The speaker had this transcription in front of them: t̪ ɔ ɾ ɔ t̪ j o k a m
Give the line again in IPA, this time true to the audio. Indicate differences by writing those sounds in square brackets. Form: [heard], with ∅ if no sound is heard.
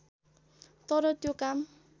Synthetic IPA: t̪ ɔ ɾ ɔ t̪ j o k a m